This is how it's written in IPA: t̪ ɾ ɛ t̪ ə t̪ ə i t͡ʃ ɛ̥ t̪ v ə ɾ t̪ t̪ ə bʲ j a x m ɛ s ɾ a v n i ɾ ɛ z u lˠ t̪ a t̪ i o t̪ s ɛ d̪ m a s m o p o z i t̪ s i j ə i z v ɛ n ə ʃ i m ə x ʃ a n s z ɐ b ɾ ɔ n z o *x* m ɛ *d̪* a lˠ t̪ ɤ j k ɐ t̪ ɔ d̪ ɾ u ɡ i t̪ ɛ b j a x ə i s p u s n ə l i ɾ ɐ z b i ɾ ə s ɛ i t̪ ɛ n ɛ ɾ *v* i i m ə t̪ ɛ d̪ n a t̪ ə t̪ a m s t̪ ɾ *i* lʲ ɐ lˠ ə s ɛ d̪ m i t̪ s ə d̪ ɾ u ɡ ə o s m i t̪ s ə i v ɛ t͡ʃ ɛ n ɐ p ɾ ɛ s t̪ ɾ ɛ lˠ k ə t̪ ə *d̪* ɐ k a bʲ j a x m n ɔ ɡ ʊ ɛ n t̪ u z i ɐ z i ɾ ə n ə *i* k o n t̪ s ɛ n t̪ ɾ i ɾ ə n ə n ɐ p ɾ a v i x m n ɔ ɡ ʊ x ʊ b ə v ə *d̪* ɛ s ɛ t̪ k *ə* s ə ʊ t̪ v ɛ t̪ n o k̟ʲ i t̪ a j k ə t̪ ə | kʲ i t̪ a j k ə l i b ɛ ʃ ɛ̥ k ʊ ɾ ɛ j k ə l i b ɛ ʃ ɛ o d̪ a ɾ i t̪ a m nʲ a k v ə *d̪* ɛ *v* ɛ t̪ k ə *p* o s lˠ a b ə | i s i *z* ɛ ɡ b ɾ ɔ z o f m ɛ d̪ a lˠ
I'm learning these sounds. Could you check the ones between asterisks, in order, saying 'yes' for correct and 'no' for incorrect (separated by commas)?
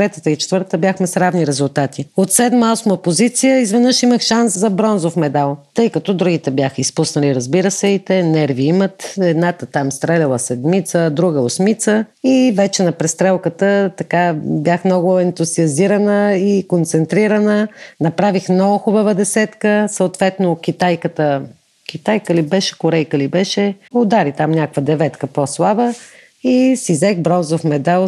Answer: no, yes, yes, no, no, yes, yes, yes, yes, yes, yes, yes